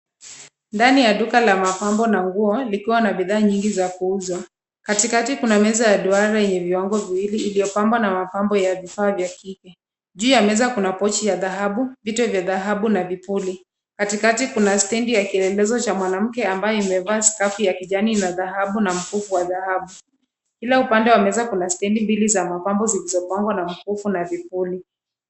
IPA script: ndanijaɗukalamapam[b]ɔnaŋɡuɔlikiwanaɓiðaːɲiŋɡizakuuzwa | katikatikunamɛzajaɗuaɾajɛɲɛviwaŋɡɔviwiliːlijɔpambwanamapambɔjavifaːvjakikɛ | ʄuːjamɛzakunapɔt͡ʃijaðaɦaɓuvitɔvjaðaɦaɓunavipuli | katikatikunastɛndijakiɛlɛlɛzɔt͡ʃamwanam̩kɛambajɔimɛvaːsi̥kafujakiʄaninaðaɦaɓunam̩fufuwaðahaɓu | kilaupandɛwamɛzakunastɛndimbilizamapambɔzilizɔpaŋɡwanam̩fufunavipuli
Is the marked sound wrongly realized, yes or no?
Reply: no